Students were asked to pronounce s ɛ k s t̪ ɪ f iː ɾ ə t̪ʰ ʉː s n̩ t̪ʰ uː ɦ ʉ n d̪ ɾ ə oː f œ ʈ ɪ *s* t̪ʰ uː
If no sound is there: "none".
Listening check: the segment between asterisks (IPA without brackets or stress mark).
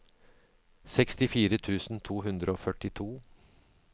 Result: none